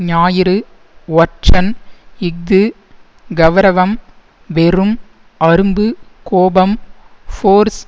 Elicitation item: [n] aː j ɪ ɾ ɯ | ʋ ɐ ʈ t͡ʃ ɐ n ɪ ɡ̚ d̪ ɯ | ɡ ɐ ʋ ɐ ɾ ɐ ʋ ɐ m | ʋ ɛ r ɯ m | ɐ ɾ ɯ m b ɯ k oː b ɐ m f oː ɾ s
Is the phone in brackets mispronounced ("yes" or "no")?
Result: yes